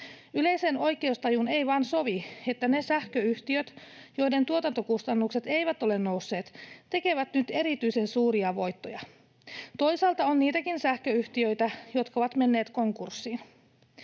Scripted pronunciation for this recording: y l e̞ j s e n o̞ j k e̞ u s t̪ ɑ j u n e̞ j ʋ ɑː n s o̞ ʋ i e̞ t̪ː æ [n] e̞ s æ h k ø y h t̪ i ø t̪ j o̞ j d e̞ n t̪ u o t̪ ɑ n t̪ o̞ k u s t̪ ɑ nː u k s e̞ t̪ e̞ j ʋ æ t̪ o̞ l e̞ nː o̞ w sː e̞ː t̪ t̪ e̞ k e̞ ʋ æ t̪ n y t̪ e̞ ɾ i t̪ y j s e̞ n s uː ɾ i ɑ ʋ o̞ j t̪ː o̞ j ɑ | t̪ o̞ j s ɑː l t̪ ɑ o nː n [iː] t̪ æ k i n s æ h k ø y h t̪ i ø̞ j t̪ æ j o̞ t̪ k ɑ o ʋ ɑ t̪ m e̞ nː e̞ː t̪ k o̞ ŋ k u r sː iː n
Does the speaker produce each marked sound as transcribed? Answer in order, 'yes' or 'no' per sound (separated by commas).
yes, yes